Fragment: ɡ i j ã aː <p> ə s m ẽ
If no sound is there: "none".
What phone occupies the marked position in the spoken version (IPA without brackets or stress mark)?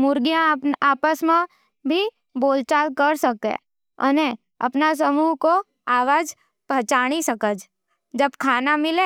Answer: p